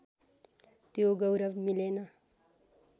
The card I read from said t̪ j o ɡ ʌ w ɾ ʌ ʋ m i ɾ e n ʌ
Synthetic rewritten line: t̪ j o ɡ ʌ w ɾ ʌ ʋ m i l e n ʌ